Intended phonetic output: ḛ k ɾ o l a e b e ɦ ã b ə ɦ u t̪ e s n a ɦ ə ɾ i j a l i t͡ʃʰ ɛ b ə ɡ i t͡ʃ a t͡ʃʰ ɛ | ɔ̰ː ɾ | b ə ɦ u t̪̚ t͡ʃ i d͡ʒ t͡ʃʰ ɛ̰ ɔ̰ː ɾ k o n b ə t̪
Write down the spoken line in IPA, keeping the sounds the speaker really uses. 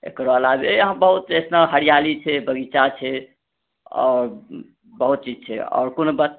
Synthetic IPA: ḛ k ɾ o l a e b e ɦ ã b ə ɦ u t̪ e s n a ɦ ə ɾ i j a l i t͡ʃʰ ɛ b ə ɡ i t͡ʃ a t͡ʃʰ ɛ | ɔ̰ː ɾ | b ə ɦ u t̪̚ t͡ʃ i d͡ʒ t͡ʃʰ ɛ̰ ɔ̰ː ɾ k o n b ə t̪